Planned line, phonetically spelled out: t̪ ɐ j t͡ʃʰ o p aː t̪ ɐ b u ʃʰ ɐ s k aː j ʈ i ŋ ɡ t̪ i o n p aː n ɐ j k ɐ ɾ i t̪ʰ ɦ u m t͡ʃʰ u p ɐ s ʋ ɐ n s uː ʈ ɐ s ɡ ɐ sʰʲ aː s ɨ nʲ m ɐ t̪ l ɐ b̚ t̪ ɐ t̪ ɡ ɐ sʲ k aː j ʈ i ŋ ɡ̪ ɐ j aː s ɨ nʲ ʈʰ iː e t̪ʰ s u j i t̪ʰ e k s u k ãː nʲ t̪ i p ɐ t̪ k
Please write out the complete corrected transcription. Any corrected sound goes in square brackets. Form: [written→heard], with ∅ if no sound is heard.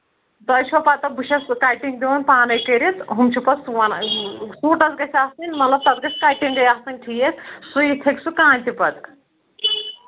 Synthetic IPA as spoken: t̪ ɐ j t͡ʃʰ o p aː t̪ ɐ b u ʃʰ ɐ s k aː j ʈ i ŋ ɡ [t̪→d̪] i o n p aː n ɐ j k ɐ ɾ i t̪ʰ ɦ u m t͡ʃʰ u p ɐ s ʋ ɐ n s uː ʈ ɐ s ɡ ɐ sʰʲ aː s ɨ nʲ m ɐ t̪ l ɐ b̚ t̪ ɐ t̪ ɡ ɐ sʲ k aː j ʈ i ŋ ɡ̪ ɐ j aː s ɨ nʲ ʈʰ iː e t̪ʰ s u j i t̪ʰ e k s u k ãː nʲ t̪ i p ɐ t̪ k